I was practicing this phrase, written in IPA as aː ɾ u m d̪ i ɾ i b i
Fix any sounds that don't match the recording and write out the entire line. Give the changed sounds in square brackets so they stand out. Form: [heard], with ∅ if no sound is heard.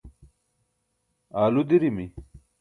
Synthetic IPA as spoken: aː [l] u [∅] d̪ i ɾ i [m] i